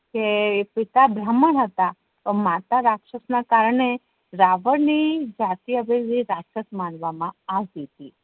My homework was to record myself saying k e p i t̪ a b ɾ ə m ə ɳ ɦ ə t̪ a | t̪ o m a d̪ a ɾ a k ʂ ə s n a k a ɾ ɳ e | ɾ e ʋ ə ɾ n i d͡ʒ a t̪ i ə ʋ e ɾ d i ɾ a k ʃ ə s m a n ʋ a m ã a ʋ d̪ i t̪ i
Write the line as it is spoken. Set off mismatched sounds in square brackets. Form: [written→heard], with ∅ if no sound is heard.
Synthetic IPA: k e p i t̪ a b ɾ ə m ə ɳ ɦ ə t̪ a | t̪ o m a [d̪→t̪] a ɾ a k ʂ ə s n a k a ɾ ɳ e | ɾ [e→a] ʋ ə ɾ n i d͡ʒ a t̪ i ə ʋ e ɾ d i ɾ a k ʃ ə s m a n ʋ a m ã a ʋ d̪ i t̪ i

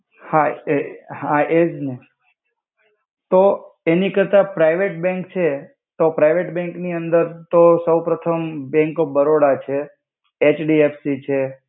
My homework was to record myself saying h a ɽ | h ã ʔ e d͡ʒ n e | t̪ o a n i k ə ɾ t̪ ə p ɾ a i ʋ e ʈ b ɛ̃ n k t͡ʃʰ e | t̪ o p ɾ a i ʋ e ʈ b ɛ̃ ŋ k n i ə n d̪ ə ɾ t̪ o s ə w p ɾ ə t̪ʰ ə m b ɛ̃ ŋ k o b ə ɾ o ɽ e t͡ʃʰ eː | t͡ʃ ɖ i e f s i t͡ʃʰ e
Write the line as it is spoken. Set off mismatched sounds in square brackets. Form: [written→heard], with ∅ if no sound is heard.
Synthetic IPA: h a [ɽ→∅] | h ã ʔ e d͡ʒ n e | t̪ o [a→e] n i k ə ɾ t̪ [ə→a] p ɾ a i ʋ e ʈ b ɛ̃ [n→ŋ] k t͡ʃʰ e | t̪ o p ɾ a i ʋ e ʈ b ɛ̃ ŋ k n i ə n d̪ ə ɾ t̪ o s ə w p ɾ ə t̪ʰ ə m b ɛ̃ ŋ k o b ə ɾ o ɽ [e→a] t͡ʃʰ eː | t͡ʃ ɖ i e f s i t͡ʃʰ e

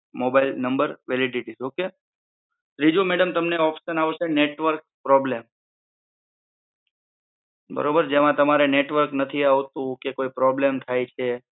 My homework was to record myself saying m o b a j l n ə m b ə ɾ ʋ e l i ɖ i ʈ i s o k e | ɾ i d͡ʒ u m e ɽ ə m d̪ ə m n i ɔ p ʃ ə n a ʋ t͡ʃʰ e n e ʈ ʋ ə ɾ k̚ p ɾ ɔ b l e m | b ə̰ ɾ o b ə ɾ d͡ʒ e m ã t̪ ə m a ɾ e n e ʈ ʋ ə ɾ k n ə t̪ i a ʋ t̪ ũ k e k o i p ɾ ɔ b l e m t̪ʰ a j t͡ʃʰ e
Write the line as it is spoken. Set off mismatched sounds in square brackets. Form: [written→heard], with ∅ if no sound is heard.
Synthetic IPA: m o b a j l n ə m b ə ɾ ʋ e l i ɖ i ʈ i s o k e | ɾ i d͡ʒ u m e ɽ ə m [d̪→t̪] ə m n [i→e] ɔ p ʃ ə n a ʋ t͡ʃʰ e n e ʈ ʋ ə ɾ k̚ p ɾ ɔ b l e m | b ə̰ ɾ o b ə ɾ d͡ʒ e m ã t̪ ə m a ɾ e n e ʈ ʋ ə ɾ k n ə [t̪→t̪ʰ] i a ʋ t̪ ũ k e k o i p ɾ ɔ b l e m t̪ʰ a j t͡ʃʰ e

